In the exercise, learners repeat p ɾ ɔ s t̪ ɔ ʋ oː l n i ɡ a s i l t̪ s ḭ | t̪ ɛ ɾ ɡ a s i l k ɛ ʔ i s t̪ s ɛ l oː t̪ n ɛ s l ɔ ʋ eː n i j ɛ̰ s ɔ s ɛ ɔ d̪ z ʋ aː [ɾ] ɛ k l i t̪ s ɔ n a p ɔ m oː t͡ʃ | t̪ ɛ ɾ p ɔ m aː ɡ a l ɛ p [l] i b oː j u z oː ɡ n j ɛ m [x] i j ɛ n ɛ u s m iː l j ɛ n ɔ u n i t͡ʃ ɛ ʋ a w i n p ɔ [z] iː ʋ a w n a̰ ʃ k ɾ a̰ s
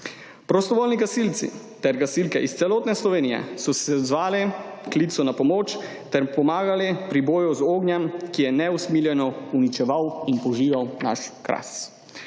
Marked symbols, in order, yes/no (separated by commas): no, no, no, no